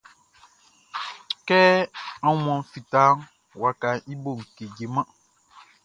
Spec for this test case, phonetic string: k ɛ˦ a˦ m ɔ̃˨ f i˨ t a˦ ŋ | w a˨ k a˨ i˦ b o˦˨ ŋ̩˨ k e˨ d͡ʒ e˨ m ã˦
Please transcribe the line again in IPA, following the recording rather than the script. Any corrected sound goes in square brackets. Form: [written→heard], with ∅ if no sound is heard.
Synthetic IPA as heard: k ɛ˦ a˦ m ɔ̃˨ f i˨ t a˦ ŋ | w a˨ k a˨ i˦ b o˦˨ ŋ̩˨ k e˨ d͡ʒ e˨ m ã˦